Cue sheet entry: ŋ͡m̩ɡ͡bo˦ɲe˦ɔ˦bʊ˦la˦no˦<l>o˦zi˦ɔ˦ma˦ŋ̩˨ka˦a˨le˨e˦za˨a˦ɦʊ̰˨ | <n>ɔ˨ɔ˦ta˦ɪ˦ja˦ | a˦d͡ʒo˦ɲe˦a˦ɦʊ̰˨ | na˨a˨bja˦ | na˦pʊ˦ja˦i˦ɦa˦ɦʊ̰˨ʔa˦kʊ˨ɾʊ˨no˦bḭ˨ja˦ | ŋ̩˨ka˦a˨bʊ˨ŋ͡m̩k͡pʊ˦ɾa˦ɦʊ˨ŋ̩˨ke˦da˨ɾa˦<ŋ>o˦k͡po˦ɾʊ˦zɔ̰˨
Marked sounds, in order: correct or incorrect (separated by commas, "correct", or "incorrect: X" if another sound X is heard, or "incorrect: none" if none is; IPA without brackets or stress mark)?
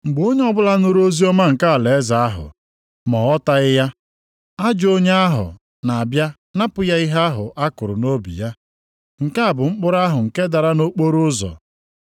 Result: incorrect: ɾ, incorrect: m, incorrect: n